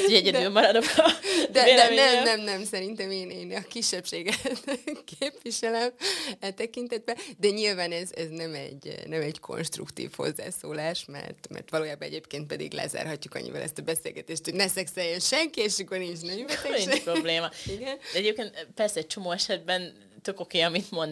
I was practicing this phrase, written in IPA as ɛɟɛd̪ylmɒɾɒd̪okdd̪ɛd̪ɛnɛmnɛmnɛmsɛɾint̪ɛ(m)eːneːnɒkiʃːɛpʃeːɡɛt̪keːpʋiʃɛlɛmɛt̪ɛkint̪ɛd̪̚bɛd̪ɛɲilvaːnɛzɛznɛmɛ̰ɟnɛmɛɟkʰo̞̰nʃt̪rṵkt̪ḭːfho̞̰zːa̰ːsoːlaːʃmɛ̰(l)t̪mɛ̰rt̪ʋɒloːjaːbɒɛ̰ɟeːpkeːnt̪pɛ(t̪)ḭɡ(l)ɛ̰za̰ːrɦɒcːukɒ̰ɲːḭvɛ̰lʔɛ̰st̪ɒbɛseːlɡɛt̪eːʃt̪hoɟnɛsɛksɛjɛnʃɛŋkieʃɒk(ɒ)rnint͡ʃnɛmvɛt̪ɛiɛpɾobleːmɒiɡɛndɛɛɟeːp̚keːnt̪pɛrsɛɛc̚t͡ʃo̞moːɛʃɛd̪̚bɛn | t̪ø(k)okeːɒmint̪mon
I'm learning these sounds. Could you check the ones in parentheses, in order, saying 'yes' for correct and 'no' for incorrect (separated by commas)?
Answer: yes, no, no, yes, no, yes